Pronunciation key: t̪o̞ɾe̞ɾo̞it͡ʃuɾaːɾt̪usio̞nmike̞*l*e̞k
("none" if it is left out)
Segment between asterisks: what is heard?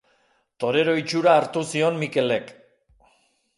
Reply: l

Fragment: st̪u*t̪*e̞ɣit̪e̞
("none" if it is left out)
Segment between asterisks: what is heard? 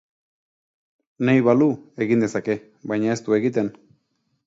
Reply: none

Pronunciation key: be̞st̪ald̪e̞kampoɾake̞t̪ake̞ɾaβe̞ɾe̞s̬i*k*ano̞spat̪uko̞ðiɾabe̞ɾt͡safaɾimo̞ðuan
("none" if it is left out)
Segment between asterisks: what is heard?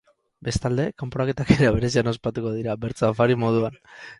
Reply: none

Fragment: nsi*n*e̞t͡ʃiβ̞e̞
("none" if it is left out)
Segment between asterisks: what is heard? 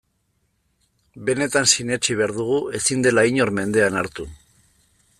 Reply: n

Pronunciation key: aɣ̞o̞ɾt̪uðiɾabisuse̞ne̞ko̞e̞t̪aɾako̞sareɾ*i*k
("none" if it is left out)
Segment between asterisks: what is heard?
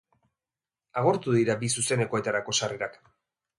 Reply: a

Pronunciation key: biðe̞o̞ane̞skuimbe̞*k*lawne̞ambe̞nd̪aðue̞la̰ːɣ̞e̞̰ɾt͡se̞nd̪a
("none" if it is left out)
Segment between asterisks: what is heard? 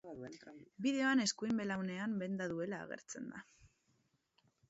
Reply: none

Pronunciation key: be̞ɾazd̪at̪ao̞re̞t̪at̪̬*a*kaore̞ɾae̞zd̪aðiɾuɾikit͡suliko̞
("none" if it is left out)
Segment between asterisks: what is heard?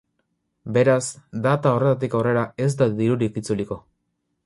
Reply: i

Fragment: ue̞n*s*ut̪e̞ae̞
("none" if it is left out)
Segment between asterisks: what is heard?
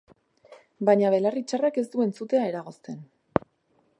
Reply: t͡s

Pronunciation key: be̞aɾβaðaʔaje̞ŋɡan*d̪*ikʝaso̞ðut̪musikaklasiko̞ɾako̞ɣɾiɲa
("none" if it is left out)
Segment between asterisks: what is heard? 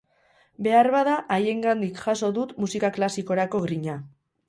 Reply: d̪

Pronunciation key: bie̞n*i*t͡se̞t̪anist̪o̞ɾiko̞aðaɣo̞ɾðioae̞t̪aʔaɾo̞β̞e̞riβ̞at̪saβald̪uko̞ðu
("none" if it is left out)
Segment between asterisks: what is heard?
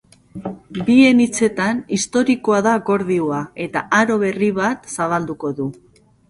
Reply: i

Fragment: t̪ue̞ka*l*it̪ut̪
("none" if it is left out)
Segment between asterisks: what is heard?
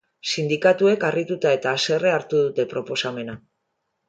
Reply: r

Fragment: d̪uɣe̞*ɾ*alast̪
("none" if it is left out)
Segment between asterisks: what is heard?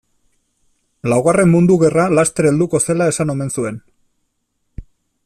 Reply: r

